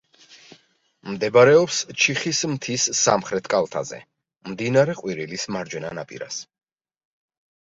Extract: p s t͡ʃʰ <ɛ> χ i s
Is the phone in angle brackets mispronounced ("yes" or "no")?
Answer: yes